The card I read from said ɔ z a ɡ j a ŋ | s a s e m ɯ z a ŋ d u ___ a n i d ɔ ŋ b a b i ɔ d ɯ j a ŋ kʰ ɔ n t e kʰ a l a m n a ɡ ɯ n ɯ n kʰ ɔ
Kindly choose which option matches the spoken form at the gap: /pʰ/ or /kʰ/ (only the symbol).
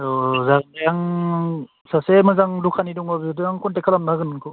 kʰ